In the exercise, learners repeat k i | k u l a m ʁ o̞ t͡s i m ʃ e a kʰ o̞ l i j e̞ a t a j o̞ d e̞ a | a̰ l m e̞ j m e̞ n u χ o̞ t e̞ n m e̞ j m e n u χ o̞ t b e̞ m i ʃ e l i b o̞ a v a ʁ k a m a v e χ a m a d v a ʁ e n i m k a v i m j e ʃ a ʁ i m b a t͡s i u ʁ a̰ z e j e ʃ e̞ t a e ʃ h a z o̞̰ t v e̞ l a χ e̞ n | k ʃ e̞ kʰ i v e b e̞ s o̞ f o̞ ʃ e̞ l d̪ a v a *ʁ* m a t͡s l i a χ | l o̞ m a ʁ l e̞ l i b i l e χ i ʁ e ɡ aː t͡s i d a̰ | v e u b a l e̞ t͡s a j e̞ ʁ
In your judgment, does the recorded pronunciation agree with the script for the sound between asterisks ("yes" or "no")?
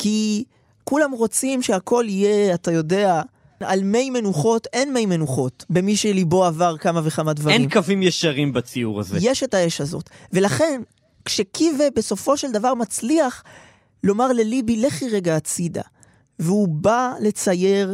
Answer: yes